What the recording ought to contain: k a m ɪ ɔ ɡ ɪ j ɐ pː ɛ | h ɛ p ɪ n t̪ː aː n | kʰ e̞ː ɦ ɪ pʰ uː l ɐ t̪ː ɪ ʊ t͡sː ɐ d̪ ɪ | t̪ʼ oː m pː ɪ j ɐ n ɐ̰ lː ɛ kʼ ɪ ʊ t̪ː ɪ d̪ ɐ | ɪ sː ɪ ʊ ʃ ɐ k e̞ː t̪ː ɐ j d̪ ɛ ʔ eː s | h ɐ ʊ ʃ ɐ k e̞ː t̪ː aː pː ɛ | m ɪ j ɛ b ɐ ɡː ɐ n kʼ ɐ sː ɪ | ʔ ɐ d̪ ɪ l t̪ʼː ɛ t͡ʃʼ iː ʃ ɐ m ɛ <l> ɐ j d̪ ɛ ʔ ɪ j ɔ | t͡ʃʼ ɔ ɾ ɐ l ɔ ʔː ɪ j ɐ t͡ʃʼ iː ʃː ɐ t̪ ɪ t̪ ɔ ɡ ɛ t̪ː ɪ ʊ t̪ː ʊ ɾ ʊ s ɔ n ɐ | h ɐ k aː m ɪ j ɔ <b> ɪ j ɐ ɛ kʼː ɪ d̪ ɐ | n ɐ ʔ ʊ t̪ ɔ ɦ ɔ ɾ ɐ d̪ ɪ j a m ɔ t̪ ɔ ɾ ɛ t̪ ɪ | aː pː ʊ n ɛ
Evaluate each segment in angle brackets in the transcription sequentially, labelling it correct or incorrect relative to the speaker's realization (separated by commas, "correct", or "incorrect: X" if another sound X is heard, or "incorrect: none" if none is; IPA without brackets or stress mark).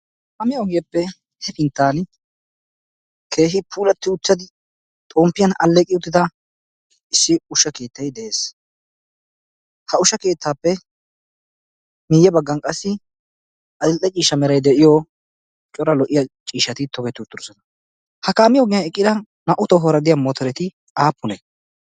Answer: incorrect: ɾ, incorrect: ɡ